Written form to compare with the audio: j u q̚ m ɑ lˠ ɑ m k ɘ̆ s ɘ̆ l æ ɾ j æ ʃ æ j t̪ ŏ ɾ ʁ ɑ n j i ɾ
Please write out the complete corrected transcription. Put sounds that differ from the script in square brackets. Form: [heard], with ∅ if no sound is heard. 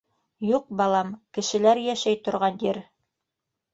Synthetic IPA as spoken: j u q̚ [b] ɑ lˠ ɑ m k ɘ̆ [ʃ] ɘ̆ l æ ɾ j æ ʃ æ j t̪ ŏ ɾ ʁ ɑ n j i ɾ